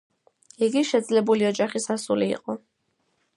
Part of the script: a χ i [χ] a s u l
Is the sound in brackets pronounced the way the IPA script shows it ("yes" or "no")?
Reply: no